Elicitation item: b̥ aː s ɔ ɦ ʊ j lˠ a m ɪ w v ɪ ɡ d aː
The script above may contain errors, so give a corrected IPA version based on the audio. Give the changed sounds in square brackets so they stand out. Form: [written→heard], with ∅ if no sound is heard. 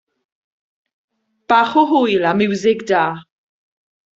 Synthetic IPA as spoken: b̥ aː [s→χ] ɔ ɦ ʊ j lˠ a m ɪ w [v→z] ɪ ɡ d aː